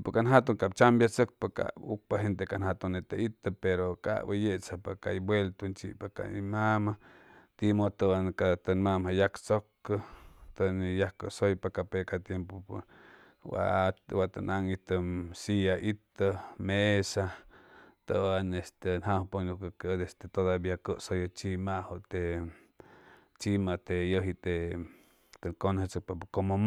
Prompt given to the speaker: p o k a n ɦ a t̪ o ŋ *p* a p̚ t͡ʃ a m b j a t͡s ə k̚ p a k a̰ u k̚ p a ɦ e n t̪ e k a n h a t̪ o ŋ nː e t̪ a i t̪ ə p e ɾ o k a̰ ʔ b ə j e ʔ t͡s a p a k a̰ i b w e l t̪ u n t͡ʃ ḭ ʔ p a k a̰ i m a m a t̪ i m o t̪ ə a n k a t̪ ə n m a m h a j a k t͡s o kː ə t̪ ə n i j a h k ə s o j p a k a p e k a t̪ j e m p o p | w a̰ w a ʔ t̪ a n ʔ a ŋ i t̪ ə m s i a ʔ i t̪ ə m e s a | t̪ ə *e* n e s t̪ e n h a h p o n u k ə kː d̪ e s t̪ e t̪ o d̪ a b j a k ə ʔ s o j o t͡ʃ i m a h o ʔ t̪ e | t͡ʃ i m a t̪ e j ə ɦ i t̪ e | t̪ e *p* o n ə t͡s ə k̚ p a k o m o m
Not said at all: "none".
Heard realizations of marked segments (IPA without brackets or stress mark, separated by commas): k, a, k